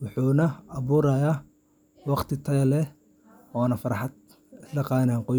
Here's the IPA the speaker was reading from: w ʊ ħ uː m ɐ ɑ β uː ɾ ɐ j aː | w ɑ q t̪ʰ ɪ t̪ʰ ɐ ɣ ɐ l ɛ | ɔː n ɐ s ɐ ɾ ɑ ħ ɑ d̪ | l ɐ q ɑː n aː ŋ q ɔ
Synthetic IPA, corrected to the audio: w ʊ ħ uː n ɐ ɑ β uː ɾ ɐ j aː | w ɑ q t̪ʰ ɪ t̪ʰ ɐ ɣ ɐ l ɛ | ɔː n ɐ f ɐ ɾ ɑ ħ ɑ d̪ | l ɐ q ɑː n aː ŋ q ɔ